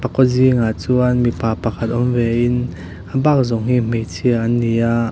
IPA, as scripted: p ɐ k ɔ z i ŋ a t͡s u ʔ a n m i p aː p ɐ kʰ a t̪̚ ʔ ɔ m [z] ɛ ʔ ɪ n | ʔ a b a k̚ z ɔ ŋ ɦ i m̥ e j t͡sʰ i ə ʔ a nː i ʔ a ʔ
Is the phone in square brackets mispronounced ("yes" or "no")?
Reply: yes